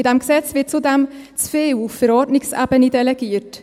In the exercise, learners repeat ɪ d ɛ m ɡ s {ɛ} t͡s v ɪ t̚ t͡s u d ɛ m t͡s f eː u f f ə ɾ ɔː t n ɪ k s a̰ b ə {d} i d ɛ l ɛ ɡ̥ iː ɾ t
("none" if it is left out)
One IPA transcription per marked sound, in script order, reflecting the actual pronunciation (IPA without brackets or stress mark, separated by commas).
ɛ, n